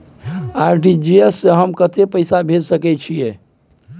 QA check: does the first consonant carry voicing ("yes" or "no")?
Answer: yes